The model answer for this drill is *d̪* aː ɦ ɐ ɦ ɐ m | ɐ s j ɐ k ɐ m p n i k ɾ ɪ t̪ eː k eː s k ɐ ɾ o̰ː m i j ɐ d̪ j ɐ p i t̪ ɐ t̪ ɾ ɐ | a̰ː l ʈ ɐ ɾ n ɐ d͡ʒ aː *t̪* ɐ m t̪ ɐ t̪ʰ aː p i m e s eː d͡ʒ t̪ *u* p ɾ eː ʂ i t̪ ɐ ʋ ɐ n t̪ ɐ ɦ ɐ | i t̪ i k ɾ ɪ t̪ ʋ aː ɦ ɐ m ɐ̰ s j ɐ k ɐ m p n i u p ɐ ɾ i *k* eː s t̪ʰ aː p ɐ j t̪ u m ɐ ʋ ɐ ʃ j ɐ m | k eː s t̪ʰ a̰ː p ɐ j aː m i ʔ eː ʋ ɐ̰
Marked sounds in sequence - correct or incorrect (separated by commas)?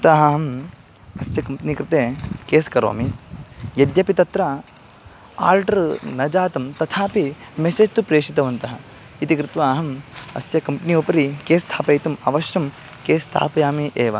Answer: incorrect, correct, correct, correct